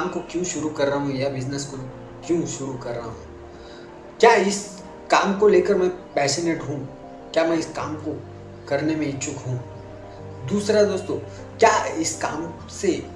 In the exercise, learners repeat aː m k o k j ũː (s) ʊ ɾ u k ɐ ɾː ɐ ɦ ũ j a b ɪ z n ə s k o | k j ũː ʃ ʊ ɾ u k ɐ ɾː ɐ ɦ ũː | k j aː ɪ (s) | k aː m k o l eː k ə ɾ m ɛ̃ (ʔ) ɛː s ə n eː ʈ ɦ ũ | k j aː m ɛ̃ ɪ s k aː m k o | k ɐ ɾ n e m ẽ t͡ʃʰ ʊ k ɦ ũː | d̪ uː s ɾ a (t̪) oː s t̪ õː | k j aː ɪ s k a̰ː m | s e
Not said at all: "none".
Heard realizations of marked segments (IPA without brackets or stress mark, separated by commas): ʃ, s, p, d̪